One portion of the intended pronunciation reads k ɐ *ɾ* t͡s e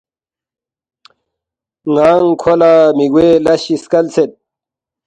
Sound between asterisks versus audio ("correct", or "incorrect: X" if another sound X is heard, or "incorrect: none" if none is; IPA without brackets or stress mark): incorrect: l